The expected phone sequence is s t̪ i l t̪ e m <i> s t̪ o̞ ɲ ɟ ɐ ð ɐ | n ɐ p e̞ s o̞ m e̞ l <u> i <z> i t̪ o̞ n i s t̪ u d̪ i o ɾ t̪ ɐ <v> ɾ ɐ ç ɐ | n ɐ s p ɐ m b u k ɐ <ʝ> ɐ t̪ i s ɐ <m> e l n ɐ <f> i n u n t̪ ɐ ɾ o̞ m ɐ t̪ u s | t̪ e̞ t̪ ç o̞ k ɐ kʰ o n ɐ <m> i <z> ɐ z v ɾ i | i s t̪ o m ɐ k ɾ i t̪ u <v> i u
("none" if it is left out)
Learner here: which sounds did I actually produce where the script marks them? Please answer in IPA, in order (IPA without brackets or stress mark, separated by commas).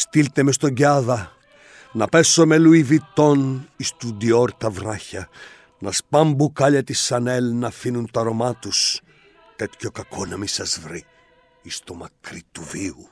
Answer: e, u, v, v, ʎ, n, f, m, s, v